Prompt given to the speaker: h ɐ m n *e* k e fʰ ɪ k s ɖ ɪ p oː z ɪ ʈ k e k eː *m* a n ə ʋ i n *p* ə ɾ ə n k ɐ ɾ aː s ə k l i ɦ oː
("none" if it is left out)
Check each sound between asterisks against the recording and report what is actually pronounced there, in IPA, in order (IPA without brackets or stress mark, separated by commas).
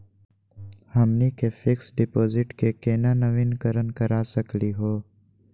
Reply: i, n, k